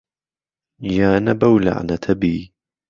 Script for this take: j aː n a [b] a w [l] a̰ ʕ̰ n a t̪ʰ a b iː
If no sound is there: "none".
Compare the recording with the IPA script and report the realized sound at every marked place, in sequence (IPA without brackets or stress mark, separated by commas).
b, l